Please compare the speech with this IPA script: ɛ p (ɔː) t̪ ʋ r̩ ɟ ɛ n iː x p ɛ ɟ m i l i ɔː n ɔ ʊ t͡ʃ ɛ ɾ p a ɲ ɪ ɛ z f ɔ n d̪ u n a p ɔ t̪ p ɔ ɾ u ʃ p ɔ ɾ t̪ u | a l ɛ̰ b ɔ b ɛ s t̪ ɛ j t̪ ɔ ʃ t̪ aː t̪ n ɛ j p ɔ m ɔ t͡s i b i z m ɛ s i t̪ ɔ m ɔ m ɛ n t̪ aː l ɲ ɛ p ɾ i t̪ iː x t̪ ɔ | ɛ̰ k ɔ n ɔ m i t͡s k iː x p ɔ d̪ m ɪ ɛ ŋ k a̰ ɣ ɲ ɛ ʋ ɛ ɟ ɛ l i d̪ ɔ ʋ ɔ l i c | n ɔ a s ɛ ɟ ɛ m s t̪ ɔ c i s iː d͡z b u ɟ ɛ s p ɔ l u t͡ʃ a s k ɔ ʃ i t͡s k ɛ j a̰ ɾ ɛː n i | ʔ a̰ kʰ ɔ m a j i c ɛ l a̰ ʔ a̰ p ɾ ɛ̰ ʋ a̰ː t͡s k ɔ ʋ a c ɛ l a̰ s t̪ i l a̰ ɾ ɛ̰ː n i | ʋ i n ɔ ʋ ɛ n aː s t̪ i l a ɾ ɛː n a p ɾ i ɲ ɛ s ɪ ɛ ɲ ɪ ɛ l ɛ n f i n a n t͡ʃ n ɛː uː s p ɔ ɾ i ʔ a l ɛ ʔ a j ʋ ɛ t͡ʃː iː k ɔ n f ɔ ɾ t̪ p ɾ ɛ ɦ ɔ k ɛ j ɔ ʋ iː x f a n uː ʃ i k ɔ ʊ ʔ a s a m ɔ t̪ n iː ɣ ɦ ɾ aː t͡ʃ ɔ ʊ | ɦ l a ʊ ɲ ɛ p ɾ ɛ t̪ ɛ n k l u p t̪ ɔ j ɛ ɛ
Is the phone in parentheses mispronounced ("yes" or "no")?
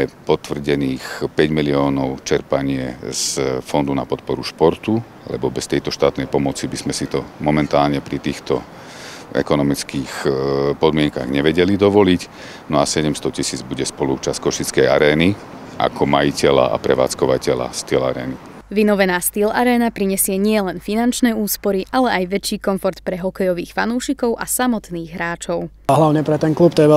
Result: yes